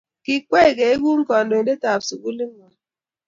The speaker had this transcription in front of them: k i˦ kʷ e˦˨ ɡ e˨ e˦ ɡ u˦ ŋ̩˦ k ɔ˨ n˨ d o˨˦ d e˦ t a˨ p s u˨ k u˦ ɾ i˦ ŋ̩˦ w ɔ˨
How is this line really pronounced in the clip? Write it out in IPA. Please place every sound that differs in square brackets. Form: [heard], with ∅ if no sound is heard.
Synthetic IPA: k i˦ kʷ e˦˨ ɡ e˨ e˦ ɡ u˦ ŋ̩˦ k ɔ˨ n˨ d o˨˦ d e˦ t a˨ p s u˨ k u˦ [l] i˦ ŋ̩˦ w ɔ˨